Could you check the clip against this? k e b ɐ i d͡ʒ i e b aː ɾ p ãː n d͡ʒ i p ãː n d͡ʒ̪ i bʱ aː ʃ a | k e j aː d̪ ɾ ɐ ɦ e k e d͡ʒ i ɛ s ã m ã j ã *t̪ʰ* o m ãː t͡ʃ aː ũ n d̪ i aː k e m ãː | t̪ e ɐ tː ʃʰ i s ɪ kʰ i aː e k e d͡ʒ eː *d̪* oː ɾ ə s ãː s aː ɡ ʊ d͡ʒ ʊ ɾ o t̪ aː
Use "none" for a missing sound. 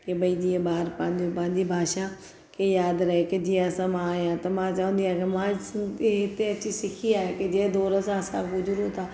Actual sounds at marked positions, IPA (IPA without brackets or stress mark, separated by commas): t̪, d̪